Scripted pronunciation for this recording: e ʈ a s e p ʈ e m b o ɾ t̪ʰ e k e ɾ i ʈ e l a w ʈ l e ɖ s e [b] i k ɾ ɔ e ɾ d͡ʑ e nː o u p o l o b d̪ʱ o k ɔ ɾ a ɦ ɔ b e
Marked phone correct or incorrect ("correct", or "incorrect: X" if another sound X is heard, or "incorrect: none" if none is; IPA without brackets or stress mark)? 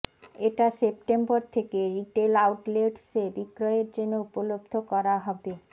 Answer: correct